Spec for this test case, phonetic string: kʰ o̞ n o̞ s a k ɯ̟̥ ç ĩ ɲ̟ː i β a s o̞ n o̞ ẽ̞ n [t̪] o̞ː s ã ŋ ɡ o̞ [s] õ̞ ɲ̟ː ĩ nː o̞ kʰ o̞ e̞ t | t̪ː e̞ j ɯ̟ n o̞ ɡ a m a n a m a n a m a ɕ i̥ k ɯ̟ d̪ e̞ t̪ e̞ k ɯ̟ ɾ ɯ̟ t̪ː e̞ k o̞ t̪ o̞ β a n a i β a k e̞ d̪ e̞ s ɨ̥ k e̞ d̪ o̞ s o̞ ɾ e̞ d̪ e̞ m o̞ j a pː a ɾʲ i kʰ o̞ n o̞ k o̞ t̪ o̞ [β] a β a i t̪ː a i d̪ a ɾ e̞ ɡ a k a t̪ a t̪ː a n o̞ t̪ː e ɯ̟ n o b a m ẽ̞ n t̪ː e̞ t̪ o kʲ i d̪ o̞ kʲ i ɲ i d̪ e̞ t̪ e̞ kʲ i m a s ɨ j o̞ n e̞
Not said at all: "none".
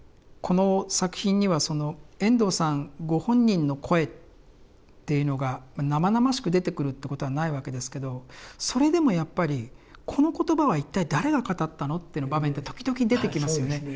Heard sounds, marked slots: d̪, h, b

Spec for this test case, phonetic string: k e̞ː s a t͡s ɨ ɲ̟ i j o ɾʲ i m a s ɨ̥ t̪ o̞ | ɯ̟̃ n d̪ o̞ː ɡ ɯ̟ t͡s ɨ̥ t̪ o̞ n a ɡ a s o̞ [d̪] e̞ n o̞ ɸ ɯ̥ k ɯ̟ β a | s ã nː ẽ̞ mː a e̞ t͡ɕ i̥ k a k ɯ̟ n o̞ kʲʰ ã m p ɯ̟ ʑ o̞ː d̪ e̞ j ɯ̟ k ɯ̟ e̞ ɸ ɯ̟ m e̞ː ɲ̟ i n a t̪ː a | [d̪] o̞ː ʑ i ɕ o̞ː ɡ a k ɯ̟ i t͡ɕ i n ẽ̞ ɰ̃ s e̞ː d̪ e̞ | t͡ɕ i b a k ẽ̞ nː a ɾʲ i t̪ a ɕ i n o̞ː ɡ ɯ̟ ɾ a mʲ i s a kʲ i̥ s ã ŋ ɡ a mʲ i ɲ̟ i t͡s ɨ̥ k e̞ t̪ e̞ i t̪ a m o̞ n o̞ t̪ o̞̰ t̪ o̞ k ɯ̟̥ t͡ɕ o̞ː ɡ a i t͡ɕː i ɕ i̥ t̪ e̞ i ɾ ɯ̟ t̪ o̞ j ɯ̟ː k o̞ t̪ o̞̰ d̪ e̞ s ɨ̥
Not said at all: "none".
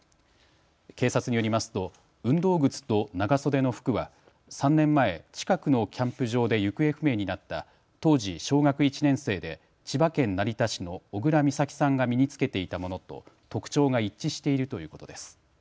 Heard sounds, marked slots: d̪, t̪

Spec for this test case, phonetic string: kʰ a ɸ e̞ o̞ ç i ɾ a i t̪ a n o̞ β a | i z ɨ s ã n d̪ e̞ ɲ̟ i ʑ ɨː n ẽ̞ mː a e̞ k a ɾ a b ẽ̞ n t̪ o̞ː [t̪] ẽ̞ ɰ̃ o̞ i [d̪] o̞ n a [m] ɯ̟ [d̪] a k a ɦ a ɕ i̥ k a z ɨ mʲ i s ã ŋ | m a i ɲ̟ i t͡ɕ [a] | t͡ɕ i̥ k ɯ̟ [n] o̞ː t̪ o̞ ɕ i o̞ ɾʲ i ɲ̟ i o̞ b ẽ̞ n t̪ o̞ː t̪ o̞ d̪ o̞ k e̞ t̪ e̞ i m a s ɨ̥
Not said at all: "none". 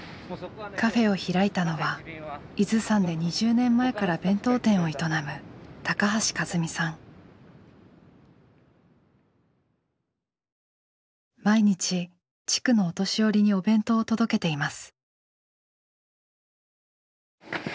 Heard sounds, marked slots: t̪, t̪, m, t̪, i, n

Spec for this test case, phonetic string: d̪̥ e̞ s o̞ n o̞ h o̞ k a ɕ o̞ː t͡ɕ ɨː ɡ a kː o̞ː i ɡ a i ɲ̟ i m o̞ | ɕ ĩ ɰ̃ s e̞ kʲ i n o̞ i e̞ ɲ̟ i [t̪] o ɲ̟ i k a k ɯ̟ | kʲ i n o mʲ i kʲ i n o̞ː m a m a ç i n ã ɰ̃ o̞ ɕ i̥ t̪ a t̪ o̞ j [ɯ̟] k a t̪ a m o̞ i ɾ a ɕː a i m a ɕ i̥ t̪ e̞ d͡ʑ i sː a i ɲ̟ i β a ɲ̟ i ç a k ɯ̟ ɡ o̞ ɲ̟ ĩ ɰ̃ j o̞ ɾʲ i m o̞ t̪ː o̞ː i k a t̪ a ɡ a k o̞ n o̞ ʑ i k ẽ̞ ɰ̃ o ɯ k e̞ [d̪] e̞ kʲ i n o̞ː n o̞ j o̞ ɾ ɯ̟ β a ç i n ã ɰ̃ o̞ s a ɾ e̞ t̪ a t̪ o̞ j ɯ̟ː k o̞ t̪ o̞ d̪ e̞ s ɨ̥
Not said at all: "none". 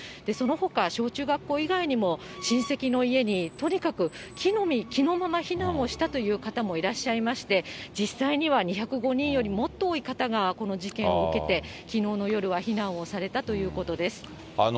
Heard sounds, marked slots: t̪, ɯ̟ː, t̪

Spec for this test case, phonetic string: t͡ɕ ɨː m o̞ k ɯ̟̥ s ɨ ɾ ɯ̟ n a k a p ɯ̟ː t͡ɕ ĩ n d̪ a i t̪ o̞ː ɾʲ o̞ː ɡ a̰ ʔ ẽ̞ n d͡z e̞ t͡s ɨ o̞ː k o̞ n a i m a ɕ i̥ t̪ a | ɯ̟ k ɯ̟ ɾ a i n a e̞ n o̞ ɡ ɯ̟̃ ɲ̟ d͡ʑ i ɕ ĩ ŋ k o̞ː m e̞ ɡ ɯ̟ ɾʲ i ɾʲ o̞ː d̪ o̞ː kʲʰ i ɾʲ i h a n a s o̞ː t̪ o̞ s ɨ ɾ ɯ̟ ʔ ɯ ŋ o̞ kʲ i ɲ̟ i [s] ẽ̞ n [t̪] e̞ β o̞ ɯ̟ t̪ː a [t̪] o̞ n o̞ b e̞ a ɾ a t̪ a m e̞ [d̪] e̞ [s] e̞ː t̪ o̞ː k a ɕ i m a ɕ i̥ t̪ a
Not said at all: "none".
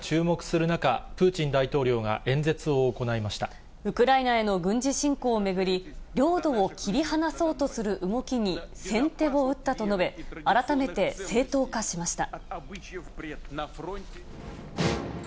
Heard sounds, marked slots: s, t̪, t̪, t̪, s

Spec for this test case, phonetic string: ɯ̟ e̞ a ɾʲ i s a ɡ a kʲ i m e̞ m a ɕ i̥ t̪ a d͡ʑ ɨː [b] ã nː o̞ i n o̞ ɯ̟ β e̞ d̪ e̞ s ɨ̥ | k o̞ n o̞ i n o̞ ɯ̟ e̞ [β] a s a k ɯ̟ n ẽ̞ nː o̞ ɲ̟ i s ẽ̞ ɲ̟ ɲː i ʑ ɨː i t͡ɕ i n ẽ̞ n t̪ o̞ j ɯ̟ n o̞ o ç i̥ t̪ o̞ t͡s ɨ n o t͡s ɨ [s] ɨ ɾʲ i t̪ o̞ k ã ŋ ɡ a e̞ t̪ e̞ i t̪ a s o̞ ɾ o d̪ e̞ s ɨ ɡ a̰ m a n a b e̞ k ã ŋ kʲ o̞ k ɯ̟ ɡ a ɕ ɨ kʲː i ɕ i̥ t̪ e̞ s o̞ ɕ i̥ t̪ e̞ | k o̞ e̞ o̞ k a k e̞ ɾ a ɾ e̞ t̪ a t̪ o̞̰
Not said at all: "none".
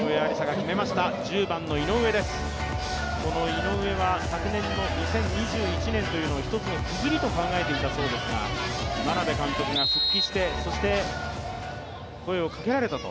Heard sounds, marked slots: b, β, z

